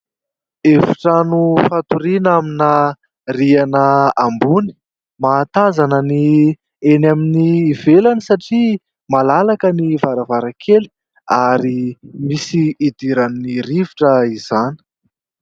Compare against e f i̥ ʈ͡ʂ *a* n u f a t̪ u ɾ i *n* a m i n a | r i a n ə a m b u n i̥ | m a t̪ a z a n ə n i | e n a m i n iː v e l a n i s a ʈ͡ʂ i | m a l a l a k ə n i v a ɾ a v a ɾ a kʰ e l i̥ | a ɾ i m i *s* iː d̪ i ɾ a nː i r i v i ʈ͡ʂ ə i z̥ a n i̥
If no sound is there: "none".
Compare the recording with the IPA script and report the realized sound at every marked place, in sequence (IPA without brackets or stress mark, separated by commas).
a, n, s